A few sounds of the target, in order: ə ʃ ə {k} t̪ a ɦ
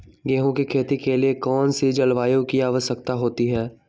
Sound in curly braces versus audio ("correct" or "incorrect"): correct